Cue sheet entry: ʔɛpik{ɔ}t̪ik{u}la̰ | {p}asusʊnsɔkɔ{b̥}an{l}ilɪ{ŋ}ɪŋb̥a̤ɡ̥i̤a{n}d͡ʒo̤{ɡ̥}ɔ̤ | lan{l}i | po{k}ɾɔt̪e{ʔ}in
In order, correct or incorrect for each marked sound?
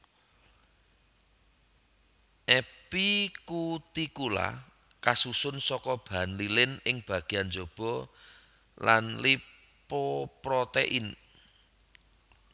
incorrect, correct, incorrect, correct, correct, incorrect, correct, incorrect, correct, incorrect, correct

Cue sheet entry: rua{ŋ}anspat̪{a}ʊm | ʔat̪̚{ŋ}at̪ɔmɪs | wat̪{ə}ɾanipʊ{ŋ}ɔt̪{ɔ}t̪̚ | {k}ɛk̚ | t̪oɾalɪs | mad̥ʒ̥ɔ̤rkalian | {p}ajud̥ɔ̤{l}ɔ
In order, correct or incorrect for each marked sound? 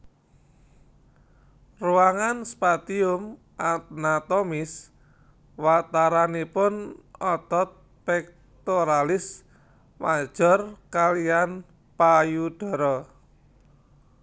correct, incorrect, incorrect, incorrect, incorrect, correct, incorrect, correct, incorrect

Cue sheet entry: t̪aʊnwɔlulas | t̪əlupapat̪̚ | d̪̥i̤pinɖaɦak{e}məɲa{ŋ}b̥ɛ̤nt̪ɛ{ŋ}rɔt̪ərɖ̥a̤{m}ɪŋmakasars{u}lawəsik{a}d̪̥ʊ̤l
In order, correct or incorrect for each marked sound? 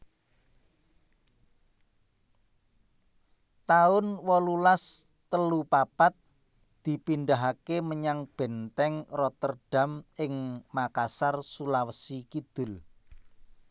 correct, correct, correct, correct, correct, incorrect

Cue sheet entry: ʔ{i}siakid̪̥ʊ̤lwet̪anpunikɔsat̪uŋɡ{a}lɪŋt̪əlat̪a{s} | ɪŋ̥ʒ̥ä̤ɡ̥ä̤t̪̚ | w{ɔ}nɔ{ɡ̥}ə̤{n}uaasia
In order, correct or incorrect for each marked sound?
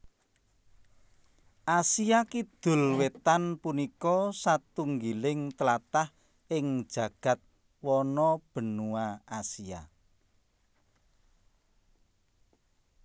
incorrect, incorrect, incorrect, correct, incorrect, correct

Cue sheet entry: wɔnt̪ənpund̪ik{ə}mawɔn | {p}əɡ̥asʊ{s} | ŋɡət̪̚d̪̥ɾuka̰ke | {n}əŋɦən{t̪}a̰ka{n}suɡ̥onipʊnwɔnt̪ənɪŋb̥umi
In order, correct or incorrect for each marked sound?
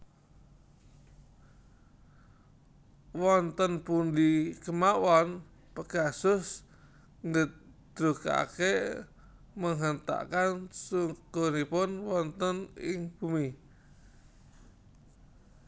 correct, correct, correct, incorrect, correct, correct

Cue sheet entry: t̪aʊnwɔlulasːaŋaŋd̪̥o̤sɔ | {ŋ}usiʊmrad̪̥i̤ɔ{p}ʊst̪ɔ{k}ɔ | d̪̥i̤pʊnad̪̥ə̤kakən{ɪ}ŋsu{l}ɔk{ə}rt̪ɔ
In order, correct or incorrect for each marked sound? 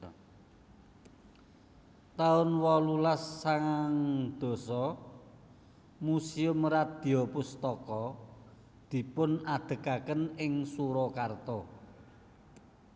incorrect, correct, correct, correct, incorrect, incorrect

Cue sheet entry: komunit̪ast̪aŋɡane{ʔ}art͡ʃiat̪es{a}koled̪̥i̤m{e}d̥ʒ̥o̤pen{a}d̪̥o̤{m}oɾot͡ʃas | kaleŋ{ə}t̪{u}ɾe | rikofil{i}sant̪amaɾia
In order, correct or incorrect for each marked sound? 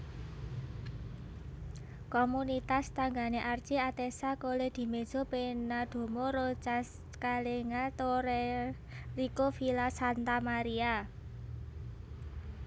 correct, correct, correct, correct, correct, incorrect, incorrect, incorrect

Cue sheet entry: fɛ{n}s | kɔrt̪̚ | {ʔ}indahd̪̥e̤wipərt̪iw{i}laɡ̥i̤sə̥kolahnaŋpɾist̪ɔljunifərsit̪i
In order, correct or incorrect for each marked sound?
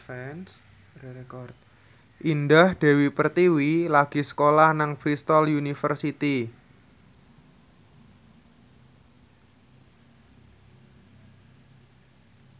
correct, correct, correct

